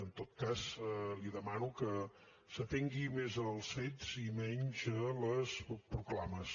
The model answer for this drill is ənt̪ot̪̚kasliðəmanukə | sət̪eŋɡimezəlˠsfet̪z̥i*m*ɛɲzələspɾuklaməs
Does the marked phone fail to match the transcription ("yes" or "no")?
no